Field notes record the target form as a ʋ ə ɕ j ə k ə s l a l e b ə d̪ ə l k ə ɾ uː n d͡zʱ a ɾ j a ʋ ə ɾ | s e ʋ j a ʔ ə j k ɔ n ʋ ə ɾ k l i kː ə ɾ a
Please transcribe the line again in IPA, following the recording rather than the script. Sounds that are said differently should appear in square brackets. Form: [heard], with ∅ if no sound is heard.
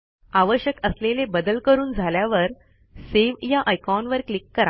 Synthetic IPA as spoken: a ʋ ə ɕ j ə k ə s l [e] l e b ə d̪ ə l k ə ɾ uː n d͡zʱ a [l] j a ʋ ə ɾ | s e ʋ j a ʔ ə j k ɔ n ʋ ə ɾ k l i kː ə ɾ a